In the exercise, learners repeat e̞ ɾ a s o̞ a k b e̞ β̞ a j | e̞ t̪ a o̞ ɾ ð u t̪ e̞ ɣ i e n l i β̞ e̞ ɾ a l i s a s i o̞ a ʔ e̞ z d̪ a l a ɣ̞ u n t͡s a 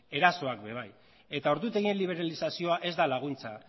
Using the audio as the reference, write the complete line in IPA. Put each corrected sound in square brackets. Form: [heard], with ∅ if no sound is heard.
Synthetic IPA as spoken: e̞ ɾ a s o̞ a k b e̞ β̞ a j | e̞ t̪ a o̞ ɾ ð u t̪ e̞ ɣ i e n l i β̞ e̞ ɾ a l i s a s i o̞ a ʔ e̞ z d̪ a l a ɣ̞ u n t͡s a